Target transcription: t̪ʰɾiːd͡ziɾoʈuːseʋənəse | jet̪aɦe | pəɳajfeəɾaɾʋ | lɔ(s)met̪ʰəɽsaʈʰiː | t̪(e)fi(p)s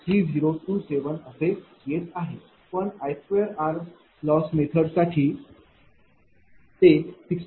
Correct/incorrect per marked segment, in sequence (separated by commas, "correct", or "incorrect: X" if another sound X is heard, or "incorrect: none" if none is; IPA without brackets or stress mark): correct, correct, incorrect: k